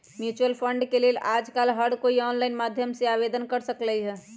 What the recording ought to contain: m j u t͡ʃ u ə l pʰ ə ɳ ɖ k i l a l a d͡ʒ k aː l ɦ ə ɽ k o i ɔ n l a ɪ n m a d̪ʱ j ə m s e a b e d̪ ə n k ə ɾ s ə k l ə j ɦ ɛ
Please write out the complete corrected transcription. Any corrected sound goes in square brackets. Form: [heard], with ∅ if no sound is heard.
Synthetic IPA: m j u t͡ʃ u ə l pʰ ə ɳ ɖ k [e] l [e] l a d͡ʒ k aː l ɦ ə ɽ k o i ɔ n l a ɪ n m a d̪ʱ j ə m s e a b e d̪ ə n k ə ɾ s ə k l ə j ɦ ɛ